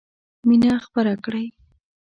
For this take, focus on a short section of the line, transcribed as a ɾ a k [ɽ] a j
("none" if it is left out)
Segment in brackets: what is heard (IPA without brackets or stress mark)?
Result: ɽ